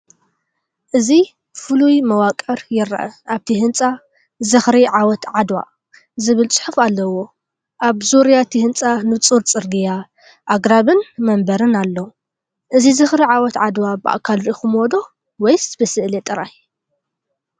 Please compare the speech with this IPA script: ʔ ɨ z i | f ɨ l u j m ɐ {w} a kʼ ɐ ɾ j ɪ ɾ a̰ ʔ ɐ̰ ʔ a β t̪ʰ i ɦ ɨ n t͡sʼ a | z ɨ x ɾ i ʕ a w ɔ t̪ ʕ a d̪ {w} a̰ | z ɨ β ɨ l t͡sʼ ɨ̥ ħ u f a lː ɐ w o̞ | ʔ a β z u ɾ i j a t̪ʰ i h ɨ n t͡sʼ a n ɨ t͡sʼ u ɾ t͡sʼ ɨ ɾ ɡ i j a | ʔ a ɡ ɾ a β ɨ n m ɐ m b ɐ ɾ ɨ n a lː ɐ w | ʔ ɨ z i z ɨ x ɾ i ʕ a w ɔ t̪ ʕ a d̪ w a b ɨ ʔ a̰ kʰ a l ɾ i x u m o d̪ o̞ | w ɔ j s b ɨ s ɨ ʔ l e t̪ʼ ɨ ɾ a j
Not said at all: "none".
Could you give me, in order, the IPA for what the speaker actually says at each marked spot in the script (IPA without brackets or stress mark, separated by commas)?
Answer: w, w